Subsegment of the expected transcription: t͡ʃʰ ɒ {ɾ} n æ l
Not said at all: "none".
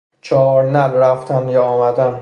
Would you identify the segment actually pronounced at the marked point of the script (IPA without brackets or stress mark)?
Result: ɾ